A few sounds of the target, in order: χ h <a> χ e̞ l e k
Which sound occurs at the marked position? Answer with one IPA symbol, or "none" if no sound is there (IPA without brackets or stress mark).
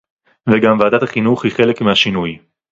i